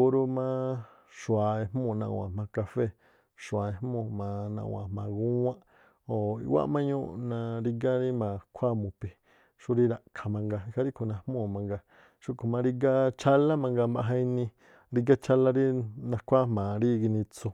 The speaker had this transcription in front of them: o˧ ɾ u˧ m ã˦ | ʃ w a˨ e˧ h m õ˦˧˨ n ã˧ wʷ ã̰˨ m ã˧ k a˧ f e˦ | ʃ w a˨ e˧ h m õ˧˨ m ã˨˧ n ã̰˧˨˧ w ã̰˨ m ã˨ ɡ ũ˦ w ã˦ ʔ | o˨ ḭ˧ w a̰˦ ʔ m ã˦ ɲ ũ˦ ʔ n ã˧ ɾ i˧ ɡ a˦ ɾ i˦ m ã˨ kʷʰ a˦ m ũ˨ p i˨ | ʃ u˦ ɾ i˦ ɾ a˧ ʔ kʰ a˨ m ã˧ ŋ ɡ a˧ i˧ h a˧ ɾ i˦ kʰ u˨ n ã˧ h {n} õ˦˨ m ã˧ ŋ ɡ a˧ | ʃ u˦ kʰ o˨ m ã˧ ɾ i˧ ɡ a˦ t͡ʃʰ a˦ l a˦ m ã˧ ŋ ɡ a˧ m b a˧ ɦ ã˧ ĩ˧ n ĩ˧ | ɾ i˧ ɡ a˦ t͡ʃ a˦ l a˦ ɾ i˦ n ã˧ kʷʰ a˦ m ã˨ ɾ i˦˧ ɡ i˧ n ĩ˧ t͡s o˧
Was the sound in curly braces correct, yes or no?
no